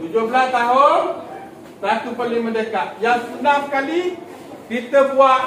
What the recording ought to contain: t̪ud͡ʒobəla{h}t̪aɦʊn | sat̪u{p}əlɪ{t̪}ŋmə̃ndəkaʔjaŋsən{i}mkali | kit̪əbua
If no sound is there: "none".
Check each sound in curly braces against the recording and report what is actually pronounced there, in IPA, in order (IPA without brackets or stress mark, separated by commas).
s, p, none, a